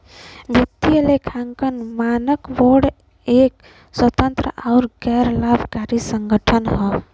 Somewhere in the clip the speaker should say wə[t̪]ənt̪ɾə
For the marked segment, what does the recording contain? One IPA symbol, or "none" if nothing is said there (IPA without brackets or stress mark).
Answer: t̪